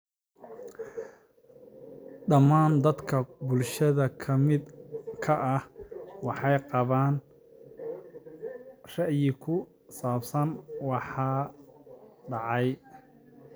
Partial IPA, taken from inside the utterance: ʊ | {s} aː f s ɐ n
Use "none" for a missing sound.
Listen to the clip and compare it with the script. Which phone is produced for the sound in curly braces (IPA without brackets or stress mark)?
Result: s